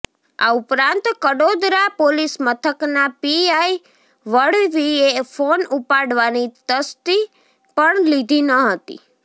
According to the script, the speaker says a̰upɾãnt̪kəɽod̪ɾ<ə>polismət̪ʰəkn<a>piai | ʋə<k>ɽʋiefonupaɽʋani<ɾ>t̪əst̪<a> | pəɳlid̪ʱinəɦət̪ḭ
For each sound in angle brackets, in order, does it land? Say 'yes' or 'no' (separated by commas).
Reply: no, yes, no, no, no